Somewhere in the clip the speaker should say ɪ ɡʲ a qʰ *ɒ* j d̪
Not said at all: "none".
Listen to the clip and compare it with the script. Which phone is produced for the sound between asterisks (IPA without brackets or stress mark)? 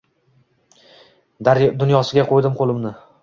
o